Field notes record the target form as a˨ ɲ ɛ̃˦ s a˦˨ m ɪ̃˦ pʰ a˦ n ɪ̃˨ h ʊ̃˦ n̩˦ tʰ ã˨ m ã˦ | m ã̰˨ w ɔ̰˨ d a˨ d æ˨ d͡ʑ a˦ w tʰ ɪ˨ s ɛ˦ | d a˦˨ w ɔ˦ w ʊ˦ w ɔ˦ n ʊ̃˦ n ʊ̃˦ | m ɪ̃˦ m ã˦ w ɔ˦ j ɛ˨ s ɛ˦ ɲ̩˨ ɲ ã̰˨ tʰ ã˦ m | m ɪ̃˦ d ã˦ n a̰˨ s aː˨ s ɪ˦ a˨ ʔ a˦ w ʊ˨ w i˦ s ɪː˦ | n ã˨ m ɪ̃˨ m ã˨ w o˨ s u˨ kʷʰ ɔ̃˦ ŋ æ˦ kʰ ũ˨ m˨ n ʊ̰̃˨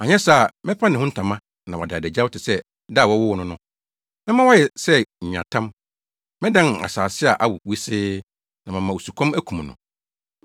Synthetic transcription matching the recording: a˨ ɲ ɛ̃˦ s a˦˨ m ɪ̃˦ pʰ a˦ n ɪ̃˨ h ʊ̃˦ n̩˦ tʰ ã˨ m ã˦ | n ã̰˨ w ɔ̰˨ d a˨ d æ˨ d͡ʑ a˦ w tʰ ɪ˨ s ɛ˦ | d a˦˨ w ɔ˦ w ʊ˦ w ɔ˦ n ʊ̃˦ n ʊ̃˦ | m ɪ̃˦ m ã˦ w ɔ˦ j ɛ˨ s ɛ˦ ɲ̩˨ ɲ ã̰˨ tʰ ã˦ m | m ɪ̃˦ d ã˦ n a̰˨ s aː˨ s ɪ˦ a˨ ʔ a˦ w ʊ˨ w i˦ s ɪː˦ | n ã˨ m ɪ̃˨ m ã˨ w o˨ s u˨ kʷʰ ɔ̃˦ m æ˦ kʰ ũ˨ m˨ n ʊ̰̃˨